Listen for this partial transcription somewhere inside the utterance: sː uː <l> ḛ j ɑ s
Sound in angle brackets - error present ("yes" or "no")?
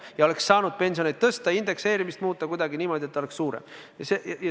yes